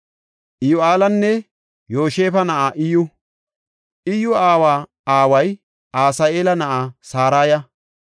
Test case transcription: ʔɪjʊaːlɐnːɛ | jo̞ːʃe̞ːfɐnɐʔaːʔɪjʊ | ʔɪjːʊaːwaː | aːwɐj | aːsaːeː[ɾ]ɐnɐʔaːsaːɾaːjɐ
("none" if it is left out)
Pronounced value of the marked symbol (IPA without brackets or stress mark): l